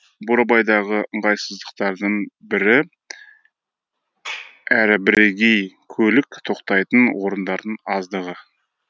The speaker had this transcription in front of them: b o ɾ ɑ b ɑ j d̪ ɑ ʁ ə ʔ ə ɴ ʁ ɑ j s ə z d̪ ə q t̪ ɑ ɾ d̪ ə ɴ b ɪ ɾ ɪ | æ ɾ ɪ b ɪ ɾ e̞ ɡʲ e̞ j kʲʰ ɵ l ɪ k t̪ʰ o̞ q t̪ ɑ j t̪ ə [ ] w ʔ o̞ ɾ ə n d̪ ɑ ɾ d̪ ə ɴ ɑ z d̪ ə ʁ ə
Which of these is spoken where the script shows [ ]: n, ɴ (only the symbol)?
n